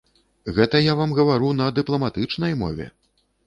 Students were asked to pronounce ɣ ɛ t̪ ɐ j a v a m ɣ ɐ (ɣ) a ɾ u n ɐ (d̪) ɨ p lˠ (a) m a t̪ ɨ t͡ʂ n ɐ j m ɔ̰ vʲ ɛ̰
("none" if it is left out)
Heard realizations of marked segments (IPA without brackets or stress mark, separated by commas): v, d̪, ɐ